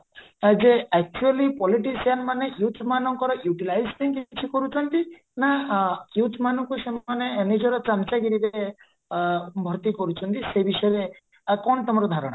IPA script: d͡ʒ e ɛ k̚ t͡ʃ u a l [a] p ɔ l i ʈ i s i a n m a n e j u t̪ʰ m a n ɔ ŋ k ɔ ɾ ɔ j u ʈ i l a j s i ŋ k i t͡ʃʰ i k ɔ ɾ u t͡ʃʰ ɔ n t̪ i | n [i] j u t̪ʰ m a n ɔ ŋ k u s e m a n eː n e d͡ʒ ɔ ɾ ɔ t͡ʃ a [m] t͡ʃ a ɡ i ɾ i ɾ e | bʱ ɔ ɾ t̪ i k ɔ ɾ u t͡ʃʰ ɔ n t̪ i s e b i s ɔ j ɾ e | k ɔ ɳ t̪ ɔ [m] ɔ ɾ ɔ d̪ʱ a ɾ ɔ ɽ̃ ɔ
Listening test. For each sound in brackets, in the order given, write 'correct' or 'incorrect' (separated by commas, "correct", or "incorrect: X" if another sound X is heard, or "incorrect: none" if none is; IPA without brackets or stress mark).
incorrect: i, incorrect: a, correct, correct